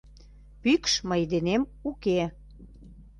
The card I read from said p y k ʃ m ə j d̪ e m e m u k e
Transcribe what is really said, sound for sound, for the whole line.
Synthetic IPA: p y k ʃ m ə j d̪ e n e m u k e